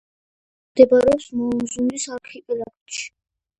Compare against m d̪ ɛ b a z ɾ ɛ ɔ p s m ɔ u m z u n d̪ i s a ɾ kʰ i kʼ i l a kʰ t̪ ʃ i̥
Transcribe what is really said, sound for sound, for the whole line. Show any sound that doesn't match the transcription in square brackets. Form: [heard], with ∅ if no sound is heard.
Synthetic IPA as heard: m d̪ ɛ b a [∅] ɾ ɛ ɔ p s m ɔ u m z u n d̪ i s a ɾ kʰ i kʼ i l a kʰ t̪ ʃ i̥